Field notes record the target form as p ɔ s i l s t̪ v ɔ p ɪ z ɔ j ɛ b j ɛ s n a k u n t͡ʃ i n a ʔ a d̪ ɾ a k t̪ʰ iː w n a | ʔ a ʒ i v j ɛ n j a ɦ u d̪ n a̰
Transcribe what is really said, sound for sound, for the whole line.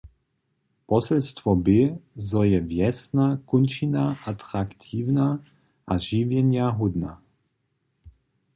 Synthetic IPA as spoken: p ɔ s ɛ l s t̪ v ɔ b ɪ z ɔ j ɛ v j ɛ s n a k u n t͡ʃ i n a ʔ a t̪ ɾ a k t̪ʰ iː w n a | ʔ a ʒ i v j ɛ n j a ɦ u d̪ n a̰